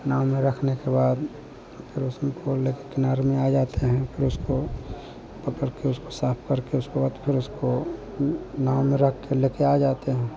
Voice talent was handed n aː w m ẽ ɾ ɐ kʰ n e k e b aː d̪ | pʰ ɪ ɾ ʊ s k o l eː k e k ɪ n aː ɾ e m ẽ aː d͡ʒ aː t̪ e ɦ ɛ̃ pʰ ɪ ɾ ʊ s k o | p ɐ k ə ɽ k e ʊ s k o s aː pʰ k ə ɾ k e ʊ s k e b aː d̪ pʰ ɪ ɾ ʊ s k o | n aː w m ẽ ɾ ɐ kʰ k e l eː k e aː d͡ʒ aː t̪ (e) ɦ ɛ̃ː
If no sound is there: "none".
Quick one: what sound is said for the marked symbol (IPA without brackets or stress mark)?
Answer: e